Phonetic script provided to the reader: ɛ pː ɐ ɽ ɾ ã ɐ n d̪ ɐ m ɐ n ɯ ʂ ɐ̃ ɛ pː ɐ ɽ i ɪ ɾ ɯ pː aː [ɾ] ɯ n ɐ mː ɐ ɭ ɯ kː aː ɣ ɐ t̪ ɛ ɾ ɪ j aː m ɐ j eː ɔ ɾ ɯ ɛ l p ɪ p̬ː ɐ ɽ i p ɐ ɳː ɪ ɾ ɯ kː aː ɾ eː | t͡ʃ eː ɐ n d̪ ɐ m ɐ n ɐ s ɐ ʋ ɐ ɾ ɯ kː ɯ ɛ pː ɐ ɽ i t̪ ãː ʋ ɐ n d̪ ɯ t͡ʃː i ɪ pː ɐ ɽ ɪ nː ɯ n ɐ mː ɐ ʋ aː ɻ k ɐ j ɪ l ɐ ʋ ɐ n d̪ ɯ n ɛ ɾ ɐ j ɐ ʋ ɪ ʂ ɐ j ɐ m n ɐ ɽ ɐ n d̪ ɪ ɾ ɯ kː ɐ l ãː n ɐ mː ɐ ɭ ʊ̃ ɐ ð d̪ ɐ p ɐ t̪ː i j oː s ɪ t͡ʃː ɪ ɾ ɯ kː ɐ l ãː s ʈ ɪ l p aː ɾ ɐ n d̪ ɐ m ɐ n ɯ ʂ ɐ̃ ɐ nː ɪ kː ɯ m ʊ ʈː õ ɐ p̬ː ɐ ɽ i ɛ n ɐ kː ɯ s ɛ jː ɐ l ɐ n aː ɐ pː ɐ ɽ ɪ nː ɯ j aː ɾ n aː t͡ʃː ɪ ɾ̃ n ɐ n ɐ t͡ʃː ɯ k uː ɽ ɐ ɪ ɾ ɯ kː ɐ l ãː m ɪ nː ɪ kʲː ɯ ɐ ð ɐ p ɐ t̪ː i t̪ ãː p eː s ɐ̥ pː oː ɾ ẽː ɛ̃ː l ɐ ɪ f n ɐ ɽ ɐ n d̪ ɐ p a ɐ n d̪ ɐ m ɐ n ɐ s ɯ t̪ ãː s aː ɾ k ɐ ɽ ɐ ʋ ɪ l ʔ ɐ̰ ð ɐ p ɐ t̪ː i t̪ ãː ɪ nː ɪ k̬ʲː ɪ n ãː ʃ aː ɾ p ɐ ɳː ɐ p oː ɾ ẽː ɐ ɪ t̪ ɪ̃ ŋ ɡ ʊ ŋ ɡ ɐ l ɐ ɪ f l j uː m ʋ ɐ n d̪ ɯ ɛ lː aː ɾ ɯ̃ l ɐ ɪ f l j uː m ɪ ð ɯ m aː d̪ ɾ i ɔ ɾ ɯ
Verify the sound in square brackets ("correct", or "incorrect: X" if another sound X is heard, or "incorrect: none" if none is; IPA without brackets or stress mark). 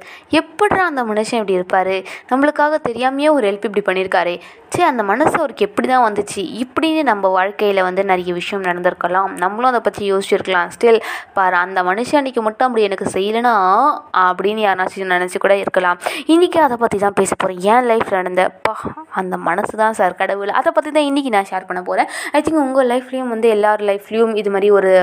correct